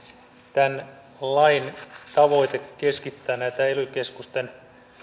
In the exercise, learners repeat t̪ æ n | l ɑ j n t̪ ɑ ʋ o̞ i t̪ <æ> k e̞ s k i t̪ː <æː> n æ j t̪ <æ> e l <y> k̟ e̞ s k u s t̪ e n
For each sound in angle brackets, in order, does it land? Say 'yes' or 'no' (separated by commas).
no, yes, yes, yes